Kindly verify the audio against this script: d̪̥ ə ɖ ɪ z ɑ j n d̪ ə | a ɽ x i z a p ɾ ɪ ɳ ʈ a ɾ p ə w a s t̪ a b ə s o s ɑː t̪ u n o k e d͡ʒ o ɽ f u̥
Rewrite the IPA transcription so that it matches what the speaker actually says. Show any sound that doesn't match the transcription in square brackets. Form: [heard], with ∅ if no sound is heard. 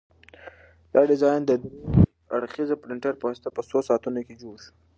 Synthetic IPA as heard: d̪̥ [ɑ] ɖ ɪ z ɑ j n d̪ ə | a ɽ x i z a p ɾ ɪ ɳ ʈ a ɾ p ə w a s t̪ a [p] ə s o s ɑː t̪ u n o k e d͡ʒ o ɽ [ʃ] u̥